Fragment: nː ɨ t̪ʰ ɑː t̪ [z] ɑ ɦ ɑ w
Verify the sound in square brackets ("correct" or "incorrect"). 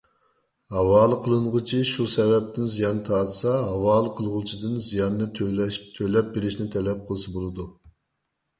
incorrect